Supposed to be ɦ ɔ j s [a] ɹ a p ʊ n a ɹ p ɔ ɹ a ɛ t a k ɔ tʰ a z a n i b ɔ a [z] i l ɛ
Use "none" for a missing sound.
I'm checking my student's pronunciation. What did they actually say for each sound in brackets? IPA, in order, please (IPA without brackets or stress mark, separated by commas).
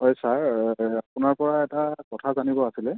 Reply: a, s